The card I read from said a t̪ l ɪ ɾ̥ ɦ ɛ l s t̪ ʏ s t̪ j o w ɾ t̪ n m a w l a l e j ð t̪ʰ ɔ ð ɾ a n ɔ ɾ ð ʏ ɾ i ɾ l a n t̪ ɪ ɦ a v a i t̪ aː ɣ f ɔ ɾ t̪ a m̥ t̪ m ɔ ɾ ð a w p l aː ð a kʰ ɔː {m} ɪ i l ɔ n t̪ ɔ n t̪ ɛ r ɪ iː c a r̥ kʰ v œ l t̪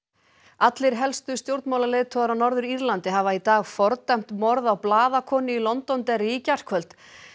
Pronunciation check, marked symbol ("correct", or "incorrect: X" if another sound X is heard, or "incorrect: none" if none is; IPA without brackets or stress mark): incorrect: n